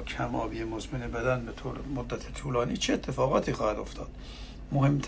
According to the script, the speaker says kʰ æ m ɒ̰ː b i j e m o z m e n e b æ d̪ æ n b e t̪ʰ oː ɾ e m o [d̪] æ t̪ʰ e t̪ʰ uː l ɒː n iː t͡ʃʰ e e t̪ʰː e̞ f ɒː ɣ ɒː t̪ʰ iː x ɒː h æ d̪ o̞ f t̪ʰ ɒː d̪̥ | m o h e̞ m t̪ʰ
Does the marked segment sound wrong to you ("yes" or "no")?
yes